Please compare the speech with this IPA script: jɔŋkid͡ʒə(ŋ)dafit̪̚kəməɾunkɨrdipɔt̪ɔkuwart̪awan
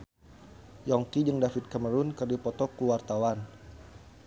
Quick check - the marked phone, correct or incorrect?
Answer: correct